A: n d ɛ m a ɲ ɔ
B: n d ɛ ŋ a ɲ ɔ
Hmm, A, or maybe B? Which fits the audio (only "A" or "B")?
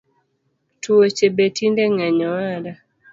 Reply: B